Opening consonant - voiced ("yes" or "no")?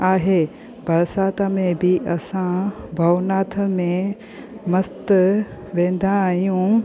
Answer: yes